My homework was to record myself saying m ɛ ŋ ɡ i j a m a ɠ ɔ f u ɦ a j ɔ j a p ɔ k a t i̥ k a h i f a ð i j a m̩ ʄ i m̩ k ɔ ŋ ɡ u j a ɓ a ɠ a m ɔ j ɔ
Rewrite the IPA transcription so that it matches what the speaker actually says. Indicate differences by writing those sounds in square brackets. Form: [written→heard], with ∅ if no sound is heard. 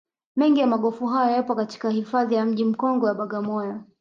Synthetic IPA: m ɛ ŋ ɡ i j a m a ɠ ɔ f u ɦ a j ɔ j a p ɔ k a t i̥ k a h i f a ð i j a m̩ ʄ i m̩ k ɔ ŋ ɡ [u→ɔ] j a ɓ a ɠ a m ɔ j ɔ